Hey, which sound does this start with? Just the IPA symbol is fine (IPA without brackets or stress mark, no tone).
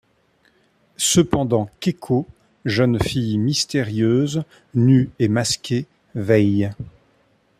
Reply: s